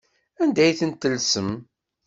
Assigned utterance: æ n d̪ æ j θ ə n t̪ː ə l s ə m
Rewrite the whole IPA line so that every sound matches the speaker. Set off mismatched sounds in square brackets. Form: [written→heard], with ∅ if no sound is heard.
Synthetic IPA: æ n d̪ æ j θ ə n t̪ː ə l s ə m